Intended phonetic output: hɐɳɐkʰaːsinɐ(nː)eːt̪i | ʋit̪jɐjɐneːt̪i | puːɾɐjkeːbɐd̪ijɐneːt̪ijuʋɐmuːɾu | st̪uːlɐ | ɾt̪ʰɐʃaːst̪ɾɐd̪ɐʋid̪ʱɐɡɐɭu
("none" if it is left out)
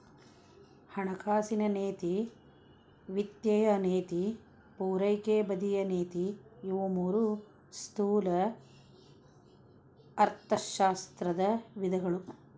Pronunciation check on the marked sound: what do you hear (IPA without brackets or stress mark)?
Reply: n